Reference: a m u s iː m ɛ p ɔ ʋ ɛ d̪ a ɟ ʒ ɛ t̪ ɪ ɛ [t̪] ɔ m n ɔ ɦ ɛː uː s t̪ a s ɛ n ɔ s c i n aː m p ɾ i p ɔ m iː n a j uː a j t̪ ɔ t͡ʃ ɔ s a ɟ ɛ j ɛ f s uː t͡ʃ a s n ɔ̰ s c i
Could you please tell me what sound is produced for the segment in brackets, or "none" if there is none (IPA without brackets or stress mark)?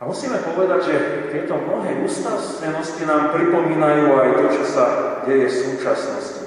t̪